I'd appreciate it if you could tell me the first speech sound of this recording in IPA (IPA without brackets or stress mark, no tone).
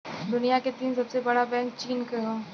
d̪